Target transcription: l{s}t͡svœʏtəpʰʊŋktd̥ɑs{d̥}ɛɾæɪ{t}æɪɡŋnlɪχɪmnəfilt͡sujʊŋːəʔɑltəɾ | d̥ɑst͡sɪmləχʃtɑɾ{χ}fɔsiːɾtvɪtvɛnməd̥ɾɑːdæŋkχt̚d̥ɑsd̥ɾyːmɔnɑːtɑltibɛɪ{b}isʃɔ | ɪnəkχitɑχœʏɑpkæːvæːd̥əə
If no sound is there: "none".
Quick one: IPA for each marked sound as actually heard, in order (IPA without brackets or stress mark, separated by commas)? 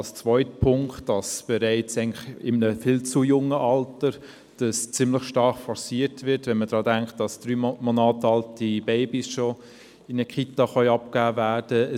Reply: s, b̥, t͡s, χ, b